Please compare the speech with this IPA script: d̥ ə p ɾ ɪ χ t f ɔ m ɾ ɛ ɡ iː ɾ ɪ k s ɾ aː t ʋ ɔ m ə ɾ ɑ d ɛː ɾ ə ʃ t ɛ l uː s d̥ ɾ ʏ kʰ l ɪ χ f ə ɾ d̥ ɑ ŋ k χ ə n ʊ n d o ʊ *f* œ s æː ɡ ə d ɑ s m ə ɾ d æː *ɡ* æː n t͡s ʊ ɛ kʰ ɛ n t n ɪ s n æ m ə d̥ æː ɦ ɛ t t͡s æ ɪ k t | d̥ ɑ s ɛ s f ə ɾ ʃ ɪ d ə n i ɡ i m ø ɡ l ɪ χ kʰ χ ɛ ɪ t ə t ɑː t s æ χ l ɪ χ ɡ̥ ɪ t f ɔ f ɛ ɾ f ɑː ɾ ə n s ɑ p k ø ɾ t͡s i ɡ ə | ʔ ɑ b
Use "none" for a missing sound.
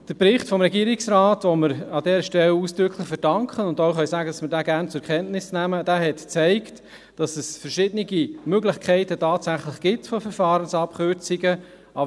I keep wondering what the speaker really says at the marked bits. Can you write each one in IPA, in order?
χ, ɡ

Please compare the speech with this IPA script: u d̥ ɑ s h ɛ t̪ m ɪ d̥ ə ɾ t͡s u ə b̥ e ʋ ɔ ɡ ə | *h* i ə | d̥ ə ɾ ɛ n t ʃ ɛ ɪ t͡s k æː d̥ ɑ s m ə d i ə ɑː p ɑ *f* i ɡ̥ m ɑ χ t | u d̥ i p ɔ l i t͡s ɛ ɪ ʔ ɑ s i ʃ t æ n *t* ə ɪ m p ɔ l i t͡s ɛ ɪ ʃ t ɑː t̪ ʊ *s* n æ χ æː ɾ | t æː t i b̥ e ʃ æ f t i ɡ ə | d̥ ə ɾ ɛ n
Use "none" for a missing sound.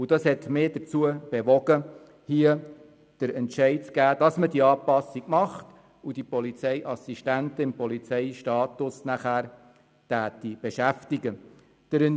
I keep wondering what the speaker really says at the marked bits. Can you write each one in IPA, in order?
h, s, t, s

